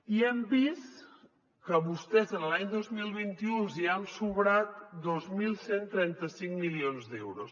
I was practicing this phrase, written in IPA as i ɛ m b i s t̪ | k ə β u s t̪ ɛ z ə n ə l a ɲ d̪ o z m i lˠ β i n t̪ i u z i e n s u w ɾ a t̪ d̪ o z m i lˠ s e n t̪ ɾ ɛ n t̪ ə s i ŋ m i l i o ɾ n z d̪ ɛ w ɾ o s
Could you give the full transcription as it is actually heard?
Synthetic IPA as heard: i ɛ m b i s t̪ | k ə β u s t̪ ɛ z ə n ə l a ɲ d̪ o z m i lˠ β i n t̪ i u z i a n s u β ɾ a t̪ d̪ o z m i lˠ s e n t̪ ɾ ɛ n t̪ ə s i ŋ m i l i o n z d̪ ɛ w ɾ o s